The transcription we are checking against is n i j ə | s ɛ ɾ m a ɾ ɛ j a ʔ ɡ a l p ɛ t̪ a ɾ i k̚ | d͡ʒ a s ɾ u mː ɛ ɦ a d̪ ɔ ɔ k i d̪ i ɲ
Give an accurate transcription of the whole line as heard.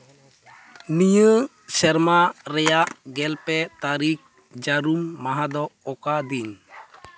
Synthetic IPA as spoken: n i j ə | s ɛ ɾ m a ɾ ɛ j a ʔ ɡ ɛ l p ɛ t̪ a ɾ i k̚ | d͡ʒ a ɾ u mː a ɦ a d̪ ɔ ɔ k a d̪ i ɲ